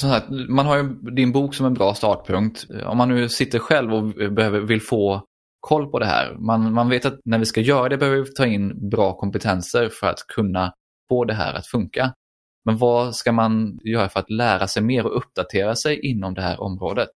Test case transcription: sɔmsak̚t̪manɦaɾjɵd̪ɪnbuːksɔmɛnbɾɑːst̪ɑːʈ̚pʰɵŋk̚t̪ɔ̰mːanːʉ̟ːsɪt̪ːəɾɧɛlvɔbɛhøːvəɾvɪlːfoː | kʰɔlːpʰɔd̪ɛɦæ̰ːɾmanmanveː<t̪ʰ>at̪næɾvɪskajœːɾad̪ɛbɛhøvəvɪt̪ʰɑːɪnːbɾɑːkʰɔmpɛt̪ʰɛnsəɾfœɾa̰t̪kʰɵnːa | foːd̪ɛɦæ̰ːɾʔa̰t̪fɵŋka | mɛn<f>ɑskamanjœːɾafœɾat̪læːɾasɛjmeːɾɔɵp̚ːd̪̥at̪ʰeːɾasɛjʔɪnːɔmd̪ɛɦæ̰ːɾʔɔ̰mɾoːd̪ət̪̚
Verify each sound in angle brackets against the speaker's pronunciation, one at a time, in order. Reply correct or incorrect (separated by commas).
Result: incorrect, incorrect